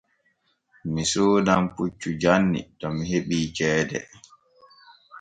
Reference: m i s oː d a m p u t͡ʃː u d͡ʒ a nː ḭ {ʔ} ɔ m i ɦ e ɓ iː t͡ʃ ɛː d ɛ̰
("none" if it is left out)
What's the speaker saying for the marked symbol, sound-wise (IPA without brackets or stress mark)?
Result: t